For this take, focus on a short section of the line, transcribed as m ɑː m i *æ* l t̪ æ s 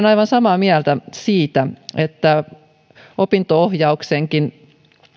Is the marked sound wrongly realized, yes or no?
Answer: no